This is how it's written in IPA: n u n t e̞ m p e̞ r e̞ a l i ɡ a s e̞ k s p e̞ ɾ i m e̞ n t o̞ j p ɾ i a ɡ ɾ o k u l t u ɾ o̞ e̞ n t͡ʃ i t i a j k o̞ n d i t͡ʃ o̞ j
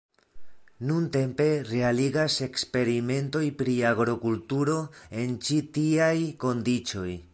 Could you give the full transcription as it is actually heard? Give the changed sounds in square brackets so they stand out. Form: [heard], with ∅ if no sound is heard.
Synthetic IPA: n u n t e̞ m p e̞ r e̞ a l i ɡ a s e̞ k s p e̞ ɾ i m e̞ n t o̞ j p ɾ i a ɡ ɾ o k u l t u ɾ o̞ e̞ n t͡ʃ i t i a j k o̞ n d i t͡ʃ o̞ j